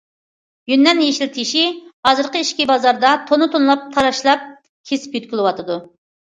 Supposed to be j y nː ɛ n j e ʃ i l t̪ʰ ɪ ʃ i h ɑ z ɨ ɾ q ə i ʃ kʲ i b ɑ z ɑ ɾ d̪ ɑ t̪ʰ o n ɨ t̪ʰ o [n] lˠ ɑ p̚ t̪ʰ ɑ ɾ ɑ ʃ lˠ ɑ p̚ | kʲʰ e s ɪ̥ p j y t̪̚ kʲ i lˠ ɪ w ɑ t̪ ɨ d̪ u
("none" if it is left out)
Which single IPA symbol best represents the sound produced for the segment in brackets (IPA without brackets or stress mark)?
n